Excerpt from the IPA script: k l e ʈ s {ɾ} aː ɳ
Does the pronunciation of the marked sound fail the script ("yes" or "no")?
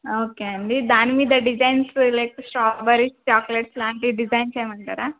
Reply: yes